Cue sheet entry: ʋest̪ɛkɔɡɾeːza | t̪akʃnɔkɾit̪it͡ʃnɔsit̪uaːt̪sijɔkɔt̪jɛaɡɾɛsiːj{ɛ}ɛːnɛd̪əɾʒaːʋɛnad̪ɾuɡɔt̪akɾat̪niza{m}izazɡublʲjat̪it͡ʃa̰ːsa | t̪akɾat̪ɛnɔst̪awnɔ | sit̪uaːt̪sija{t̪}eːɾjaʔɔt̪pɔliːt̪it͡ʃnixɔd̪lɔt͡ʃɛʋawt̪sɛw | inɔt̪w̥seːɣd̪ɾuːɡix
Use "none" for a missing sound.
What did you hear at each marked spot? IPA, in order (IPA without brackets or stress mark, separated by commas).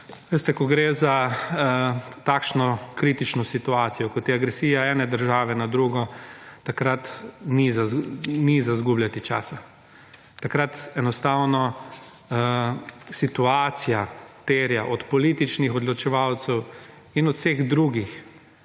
a, n, t̪